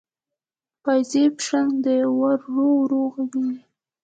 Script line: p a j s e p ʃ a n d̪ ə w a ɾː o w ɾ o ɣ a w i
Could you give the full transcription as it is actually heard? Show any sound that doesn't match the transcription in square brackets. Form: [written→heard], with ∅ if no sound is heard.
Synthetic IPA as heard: p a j [s→z] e p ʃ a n d̪ ə w a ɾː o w ɾ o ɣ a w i